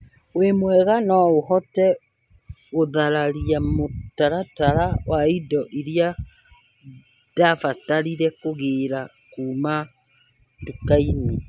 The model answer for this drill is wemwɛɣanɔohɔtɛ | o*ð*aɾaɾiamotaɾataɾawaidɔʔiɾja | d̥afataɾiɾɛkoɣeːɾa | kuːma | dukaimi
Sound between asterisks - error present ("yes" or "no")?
no